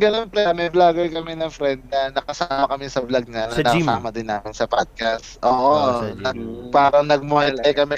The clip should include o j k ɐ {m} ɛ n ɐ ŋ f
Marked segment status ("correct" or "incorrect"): correct